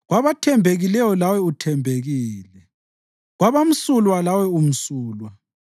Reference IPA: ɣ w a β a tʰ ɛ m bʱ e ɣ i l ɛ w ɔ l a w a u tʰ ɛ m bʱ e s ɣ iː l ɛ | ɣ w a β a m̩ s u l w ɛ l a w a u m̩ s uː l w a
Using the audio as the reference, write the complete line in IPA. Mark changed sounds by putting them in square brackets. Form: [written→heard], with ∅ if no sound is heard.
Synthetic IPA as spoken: ɣ w a β a tʰ ɛ m bʱ e ɣ i l ɛ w ɔ l a w [a→ɛ] u tʰ ɛ m bʱ e [s→∅] ɣ iː l ɛ | ɣ w a β a m̩ s u l w [ɛ→a] l a w [a→ɛ] u m̩ s uː l w a